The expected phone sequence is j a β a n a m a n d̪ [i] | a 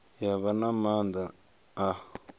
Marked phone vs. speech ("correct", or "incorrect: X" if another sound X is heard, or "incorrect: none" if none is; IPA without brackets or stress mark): incorrect: a